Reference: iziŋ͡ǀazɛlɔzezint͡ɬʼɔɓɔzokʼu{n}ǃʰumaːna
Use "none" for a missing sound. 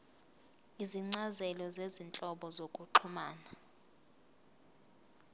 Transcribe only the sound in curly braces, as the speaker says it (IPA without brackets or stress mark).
none